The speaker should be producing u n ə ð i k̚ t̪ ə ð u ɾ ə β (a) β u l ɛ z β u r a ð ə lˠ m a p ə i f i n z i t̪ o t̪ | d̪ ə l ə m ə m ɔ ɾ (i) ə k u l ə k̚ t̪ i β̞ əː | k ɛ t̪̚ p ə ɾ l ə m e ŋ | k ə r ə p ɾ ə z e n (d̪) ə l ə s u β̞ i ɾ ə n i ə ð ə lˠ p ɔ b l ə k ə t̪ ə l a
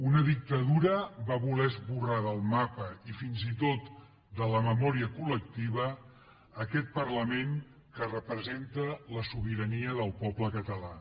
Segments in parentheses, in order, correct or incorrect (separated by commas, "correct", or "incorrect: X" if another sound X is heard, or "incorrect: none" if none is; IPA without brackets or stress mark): correct, correct, incorrect: t̪